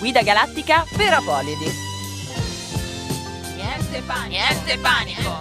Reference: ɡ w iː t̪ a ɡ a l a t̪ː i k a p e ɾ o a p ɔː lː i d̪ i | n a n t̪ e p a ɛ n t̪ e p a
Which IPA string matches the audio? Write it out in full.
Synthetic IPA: ɡ w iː d̪ a ɡ a l a t̪ː i k a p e ɾ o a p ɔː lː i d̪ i | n ɛ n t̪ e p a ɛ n t̪ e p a